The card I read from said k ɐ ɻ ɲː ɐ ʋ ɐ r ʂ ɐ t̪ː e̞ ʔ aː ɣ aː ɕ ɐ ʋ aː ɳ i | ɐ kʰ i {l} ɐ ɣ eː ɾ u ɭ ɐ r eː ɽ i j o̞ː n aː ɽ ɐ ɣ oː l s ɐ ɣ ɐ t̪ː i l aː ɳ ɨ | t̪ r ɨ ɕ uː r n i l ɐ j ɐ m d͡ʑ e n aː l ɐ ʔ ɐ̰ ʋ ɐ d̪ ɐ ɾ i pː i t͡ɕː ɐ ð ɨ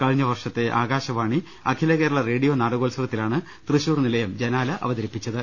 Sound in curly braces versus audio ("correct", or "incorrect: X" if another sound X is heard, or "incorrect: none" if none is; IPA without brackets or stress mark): correct